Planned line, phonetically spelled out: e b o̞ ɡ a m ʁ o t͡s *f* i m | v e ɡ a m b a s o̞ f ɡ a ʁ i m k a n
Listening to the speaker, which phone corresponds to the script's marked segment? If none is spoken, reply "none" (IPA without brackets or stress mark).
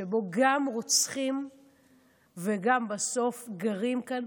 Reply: χ